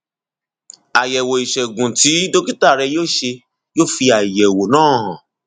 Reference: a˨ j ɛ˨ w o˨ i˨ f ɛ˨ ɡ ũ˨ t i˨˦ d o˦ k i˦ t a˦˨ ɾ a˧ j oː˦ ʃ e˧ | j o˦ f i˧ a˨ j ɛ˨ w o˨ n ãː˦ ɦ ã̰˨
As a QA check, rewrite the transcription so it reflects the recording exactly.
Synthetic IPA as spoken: a˨ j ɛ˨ w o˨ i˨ ʃ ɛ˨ ɡ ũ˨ t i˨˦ d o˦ k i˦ t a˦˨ ɾ ɛ˧ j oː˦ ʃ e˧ | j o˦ f i˧ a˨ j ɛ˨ w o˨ n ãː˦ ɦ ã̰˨